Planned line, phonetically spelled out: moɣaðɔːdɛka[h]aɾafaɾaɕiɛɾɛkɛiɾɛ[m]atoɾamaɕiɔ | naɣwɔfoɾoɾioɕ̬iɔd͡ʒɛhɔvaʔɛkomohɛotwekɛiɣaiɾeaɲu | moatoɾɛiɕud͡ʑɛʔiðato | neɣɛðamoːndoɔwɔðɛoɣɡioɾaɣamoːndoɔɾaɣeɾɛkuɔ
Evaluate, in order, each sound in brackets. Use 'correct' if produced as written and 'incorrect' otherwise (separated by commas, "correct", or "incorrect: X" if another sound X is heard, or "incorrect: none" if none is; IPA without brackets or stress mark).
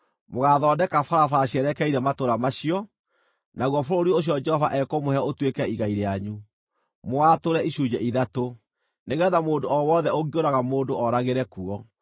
incorrect: f, correct